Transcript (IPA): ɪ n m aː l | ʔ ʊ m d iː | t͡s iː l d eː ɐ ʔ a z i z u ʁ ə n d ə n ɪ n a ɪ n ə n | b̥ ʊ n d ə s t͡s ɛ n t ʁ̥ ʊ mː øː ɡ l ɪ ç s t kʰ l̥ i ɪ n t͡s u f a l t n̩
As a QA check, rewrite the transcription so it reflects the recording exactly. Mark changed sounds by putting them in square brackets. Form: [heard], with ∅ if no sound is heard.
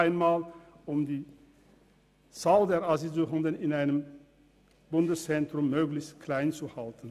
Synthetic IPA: ɪ n m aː l | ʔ ʊ m d iː | t͡s [aː] l d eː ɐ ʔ a z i z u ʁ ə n d ə n ɪ n a ɪ n ə [m] | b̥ ʊ n d ə s t͡s ɛ n t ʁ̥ ʊ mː øː ɡ l ɪ ç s t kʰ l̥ [a] ɪ n t͡s u [h] a l t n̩

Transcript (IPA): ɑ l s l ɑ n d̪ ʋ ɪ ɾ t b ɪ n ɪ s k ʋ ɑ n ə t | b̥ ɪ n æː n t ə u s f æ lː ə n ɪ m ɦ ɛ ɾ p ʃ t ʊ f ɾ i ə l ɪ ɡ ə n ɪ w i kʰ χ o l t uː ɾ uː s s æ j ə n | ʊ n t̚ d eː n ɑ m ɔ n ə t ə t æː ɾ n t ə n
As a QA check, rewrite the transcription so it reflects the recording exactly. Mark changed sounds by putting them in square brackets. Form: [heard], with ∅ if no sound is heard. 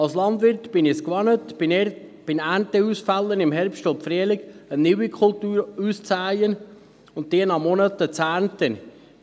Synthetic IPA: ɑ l s l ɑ n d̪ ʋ ɪ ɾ t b ɪ n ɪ s k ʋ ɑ n ə t | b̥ ɪ n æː n t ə u s f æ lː ə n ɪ m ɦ ɛ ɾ p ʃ t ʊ f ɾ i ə l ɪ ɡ ə n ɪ w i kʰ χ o l t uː ɾ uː s [t͡s] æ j ə n | ʊ n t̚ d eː n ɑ m ɔ n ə t ə [t͡s] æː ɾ n t ə n

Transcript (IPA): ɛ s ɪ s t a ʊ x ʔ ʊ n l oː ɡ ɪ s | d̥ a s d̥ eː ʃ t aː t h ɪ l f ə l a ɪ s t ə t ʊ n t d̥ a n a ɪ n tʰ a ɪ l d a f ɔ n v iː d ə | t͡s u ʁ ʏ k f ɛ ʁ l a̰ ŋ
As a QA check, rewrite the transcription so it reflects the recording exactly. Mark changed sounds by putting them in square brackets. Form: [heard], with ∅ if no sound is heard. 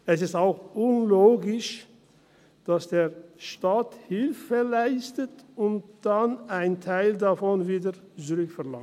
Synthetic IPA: ɛ s ɪ s t a ʊ x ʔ ʊ n l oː ɡ ɪ [ʃ] | d̥ a s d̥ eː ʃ t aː t h ɪ l f ə l a ɪ s t ə t ʊ n t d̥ a n a ɪ n tʰ a ɪ l d a f ɔ n v iː d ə | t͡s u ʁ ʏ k f ɛ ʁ l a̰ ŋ

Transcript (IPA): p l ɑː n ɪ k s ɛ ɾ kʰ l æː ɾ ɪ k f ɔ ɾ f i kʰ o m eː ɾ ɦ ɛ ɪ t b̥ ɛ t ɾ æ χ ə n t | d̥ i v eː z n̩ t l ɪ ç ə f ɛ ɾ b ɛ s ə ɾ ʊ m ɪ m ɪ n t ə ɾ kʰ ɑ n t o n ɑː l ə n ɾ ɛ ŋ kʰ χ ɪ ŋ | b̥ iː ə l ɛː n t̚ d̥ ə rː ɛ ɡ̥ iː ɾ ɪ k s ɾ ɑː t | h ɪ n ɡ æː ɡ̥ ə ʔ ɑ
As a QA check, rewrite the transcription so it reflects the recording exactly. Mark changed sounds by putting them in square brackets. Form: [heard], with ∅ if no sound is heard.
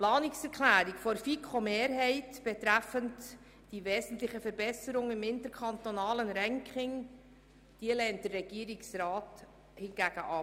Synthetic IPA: p l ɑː n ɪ k s ɛ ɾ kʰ l æː ɾ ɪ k f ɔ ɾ f i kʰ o m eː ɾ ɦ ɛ ɪ t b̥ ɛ t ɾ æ [f] ə n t | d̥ i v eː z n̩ t l ɪ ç ə f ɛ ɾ b ɛ s ə ɾ ʊ [ŋ] ɪ m ɪ n t ə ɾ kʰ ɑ n t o n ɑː l ə n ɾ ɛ ŋ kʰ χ ɪ ŋ | [d̥] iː ə l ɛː n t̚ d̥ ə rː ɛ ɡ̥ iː ɾ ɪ k s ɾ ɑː t | h ɪ n ɡ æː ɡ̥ ə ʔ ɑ

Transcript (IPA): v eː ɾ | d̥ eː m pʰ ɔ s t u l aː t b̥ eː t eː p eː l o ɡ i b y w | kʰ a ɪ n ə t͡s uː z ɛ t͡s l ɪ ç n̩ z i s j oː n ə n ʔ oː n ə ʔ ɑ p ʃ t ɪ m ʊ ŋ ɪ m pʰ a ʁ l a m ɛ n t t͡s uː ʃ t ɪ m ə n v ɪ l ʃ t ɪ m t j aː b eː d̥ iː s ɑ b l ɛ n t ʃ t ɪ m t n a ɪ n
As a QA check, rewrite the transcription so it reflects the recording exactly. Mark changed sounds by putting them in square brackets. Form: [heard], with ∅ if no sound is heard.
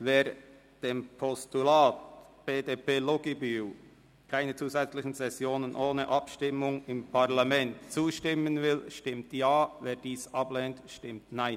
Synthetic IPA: v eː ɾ | d̥ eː m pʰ ɔ s t u l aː t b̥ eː [d] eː p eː l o ɡ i b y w | kʰ a ɪ n ə t͡s uː z ɛ t͡s l ɪ ç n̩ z [ɛ] s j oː n ə n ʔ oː n ə ʔ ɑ p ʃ t ɪ m ʊ ŋ ɪ m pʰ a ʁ l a m ɛ n t t͡s uː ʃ t ɪ m ə n v ɪ l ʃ t ɪ m t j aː [v] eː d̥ iː s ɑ b l ɛ n t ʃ t ɪ m t n a ɪ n

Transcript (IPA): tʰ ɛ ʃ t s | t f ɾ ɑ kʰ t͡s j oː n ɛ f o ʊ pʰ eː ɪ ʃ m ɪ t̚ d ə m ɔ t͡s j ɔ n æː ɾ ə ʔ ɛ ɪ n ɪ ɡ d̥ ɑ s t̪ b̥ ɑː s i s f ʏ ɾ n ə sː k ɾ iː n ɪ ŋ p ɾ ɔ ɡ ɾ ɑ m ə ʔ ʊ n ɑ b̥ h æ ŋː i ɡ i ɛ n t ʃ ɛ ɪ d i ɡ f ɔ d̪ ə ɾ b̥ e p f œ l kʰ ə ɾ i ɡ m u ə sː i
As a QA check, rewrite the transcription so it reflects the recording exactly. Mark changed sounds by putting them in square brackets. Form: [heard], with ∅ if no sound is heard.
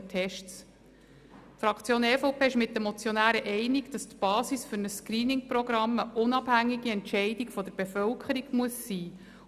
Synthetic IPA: tʰ ɛ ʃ t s | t f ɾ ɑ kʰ t͡s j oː n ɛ f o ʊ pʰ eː ɪ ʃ m ɪ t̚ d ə m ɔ t͡s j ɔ n æː ɾ ə ʔ ɛ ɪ n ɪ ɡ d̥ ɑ s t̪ b̥ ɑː s i s f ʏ ɾ n ə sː k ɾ iː n ɪ ŋ p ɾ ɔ ɡ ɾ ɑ m ə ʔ ʊ n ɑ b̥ h æ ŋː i ɡ i ɛ n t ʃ ɛ ɪ d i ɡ f ɔ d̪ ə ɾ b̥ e [∅] f œ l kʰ ə ɾ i ɡ m u ə sː [iː]

